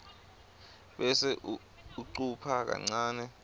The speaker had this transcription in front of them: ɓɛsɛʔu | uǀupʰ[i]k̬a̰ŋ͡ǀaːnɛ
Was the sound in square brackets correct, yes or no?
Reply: no